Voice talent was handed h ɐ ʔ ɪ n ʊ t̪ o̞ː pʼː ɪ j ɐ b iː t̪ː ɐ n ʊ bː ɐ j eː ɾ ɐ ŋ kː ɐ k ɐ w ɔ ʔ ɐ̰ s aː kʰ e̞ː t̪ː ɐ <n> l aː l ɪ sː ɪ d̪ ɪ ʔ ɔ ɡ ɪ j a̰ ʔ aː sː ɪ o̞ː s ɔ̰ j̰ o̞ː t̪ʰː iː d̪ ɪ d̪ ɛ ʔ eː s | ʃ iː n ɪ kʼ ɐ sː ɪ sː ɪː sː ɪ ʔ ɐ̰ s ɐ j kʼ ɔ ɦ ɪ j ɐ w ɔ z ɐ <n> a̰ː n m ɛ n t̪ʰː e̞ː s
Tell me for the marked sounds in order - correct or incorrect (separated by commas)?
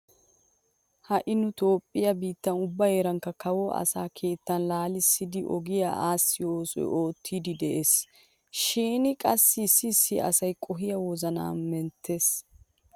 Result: correct, correct